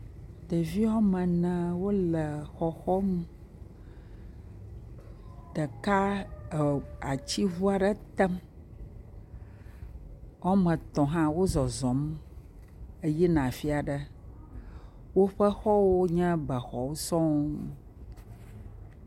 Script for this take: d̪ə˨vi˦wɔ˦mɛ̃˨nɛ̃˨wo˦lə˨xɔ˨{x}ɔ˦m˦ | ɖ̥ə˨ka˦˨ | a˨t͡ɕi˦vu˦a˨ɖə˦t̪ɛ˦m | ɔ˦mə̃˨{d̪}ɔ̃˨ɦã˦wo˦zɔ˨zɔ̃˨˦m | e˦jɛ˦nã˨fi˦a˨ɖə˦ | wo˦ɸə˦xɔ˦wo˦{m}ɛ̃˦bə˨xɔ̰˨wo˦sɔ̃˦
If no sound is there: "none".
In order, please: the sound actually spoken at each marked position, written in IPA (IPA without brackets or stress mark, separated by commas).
x, t̪, ɲ